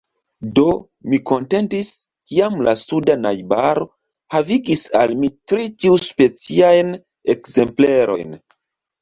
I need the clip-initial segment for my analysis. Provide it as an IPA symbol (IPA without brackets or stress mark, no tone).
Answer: d